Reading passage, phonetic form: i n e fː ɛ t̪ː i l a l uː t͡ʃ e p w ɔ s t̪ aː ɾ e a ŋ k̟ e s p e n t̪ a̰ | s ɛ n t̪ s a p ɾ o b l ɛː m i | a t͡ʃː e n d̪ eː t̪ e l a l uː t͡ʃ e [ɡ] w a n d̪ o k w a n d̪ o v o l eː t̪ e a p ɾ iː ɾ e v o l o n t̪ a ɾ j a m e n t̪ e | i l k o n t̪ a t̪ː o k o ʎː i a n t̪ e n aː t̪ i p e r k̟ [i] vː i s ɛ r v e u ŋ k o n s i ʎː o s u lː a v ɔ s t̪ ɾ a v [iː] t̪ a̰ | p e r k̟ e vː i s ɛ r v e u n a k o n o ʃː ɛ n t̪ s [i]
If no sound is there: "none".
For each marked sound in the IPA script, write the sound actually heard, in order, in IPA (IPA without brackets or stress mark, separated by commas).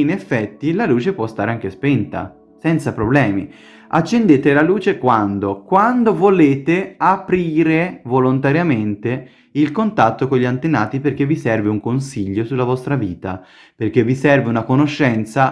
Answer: k, e, iː, a